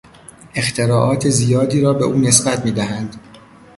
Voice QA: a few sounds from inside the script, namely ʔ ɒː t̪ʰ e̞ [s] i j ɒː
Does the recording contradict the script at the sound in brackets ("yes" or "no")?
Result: yes